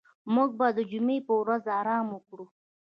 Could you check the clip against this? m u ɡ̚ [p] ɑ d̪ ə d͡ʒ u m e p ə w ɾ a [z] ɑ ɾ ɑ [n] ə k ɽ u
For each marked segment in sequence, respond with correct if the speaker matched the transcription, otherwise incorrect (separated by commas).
incorrect, correct, incorrect